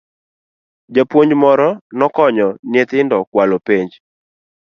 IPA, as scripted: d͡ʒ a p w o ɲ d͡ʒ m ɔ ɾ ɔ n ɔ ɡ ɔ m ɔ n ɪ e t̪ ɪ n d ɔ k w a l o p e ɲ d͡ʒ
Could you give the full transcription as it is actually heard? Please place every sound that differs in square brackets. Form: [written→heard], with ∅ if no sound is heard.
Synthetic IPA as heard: d͡ʒ a p w o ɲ d͡ʒ m ɔ ɾ ɔ n ɔ [ɡ→k] ɔ [m→ɲ] ɔ n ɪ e t̪ ɪ n d ɔ k w a l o p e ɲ d͡ʒ